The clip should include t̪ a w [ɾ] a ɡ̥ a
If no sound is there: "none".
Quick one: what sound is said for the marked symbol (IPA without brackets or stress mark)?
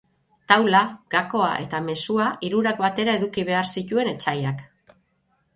l